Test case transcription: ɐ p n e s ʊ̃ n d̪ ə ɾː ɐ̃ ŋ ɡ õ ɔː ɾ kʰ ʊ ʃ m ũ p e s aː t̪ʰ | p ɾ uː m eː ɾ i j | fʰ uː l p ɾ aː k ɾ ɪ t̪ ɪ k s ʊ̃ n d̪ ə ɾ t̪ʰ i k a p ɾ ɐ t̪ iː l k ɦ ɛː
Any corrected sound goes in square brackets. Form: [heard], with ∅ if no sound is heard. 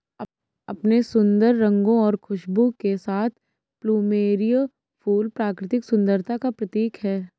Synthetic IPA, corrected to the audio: ɐ p n e s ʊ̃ n d̪ ə ɾː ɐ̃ ŋ ɡ õ ɔː ɾ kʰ ʊ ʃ [b] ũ [k] e s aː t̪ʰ | p [l] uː m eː ɾ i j | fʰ uː l p ɾ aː k ɾ ɪ t̪ ɪ k s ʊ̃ n d̪ ə ɾ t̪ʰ [a] k a p ɾ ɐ t̪ iː [∅] k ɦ ɛː